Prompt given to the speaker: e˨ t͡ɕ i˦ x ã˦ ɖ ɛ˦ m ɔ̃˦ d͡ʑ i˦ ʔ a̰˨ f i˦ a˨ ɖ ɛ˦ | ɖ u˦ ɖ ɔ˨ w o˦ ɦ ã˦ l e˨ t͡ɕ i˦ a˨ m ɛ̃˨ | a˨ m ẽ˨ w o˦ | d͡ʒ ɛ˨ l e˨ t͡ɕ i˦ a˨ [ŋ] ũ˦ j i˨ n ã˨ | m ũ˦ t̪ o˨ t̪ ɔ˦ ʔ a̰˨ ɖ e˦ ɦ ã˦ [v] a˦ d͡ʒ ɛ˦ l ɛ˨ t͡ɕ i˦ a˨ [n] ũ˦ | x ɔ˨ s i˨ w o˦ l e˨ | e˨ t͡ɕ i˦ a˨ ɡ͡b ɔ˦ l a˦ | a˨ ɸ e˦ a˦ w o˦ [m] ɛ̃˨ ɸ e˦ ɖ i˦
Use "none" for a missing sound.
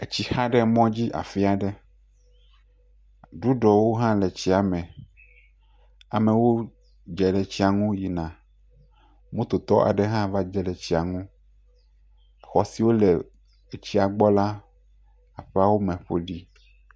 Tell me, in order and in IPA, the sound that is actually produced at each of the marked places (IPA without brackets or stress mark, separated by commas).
ŋ, v, ŋ, m